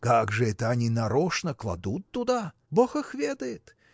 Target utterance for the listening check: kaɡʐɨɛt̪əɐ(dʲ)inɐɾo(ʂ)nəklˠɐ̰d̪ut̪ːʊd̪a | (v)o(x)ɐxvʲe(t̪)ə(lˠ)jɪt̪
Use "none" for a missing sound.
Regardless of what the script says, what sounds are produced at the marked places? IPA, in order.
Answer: nʲ, ʂ, b, x, d̪, none

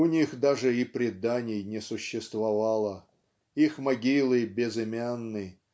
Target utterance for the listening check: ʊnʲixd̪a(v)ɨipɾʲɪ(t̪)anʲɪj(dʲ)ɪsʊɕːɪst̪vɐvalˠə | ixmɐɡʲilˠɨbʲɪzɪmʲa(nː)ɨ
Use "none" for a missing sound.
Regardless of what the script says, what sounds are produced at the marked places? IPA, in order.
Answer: ʐ, d̪, nʲ, nː

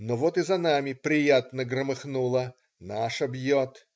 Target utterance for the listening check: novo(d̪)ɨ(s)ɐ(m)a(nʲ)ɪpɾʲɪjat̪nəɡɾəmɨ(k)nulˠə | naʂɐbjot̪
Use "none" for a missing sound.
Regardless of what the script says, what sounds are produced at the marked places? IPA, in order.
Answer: t̪, z, n, mʲ, x

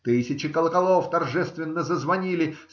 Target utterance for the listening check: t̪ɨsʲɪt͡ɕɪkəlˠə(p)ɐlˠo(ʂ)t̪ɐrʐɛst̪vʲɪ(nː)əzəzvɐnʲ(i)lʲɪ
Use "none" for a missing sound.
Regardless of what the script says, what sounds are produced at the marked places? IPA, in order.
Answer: k, f, nː, i

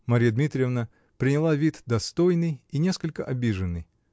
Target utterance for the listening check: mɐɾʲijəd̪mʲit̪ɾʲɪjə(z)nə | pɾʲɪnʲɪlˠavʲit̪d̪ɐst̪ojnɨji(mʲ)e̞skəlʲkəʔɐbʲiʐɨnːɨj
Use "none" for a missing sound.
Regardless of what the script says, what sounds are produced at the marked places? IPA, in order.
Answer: v, nʲ

